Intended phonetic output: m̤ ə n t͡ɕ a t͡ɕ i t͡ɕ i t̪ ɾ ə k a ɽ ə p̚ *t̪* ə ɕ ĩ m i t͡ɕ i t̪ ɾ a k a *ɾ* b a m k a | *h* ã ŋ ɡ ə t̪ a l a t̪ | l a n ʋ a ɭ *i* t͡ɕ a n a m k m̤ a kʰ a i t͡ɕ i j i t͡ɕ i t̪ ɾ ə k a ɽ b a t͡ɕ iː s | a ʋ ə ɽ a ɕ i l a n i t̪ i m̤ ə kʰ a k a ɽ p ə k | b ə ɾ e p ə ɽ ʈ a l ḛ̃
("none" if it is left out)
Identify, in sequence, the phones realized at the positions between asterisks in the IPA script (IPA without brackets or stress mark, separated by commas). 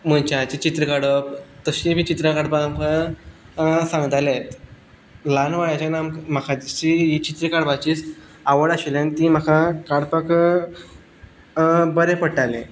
t̪, ɽ, s, a